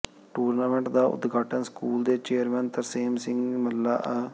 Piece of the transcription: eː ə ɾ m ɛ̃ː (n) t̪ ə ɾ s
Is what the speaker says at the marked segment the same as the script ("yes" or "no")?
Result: yes